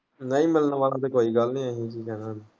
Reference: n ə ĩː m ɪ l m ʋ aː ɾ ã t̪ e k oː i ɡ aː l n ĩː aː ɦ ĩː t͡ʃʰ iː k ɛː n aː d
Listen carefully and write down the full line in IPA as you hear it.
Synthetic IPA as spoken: n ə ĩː m ɪ l n ʋ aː l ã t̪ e k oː i ɡ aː l n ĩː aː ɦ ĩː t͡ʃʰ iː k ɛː n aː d